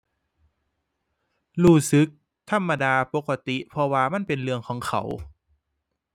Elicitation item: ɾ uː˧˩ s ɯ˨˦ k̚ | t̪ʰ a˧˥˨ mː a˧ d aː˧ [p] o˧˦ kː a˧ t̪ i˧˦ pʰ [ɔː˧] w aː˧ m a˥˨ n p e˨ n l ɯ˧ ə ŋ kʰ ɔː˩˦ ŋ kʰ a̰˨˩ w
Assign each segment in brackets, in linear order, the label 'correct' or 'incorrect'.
correct, incorrect

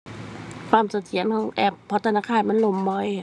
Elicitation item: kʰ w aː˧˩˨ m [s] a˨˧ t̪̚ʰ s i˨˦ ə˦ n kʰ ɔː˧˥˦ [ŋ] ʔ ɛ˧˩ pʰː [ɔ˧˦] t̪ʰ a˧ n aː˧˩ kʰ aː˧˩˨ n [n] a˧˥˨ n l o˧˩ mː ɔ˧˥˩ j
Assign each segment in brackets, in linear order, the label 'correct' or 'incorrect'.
correct, correct, correct, incorrect

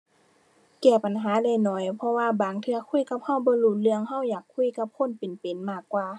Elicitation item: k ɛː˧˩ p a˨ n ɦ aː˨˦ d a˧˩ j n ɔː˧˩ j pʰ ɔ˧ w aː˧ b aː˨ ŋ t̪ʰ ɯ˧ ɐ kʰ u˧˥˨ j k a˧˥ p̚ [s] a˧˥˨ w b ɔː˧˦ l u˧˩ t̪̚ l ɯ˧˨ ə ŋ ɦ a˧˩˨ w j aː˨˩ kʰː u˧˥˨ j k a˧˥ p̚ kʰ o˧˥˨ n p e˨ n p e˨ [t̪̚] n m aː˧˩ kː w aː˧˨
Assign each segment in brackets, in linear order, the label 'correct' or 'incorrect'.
incorrect, incorrect

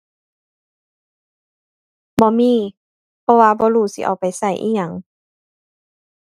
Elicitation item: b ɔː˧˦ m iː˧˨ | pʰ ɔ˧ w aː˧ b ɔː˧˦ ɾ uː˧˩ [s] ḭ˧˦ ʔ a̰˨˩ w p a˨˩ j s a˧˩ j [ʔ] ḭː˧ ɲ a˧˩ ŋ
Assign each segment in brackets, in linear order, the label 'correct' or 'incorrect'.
correct, correct

